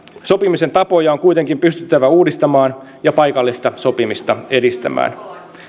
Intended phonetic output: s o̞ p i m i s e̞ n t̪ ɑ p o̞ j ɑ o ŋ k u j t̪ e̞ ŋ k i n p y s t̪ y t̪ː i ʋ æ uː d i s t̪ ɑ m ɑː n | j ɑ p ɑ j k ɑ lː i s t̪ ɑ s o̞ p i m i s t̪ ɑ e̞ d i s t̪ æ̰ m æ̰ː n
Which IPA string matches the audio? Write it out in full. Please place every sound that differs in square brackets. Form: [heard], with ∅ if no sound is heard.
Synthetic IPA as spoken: s o̞ p i m i s e̞ n t̪ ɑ p o̞ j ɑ o ŋ k u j t̪ e̞ ŋ k i [m] p y s t̪ y t̪ː [æ] ʋ æ uː d i s t̪ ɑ m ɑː n | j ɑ p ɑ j k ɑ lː i s t̪ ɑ s o̞ p i m i s t̪ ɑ e̞ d i s t̪ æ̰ m æ̰ː n